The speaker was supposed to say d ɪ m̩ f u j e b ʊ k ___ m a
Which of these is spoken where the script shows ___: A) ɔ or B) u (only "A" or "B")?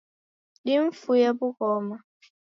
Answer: A